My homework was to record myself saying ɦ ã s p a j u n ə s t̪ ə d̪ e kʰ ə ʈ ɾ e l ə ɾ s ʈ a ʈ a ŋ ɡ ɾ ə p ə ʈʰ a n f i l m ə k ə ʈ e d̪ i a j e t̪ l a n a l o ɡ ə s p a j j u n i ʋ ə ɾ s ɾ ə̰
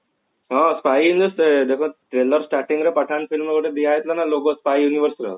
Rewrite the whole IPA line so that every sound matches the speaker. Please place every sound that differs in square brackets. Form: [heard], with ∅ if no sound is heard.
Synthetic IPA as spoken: ɦ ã s p a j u n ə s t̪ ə d̪ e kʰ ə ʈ ɾ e l ə ɾ s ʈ a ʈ [i] ŋ ɡ ɾ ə p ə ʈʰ a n f i l m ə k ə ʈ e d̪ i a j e t̪ l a n a l o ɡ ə s p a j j u n i ʋ ə ɾ s ɾ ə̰